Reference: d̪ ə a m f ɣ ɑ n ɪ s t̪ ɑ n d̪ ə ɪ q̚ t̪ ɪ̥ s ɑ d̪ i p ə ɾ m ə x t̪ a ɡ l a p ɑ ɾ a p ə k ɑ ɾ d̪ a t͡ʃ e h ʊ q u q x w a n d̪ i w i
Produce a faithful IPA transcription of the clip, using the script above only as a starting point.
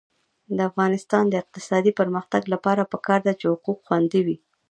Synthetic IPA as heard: d̪ ə a f ɣ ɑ n ɪ s t̪ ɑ n d̪ ə ɪ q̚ t̪ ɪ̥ s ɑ d̪ i p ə ɾ m ə x t̪ a ɡ l a p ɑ ɾ a p ə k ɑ ɾ d̪ a t͡ʃ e h ʊ q u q x w a n d̪ i w i